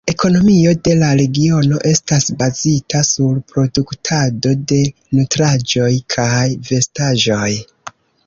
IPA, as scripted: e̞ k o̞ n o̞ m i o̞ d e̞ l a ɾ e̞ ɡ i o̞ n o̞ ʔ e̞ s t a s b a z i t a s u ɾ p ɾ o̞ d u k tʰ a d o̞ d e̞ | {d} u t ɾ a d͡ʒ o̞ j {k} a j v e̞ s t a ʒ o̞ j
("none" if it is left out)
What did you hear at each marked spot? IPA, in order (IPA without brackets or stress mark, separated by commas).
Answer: n, kʰ